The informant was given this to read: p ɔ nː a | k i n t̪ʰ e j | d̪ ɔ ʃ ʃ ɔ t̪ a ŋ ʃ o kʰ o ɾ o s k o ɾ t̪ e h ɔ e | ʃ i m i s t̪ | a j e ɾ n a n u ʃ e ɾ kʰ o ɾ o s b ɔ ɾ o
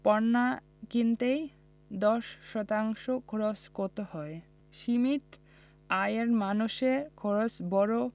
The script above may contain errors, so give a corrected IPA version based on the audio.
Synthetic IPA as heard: p ɔ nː a | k i n t̪ e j | d̪ ɔ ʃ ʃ ɔ t̪ a ŋ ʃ o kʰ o ɾ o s k o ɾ t̪ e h ɔ e | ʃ i m i t̪ | a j e ɾ m a n u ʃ e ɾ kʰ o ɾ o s b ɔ ɾ o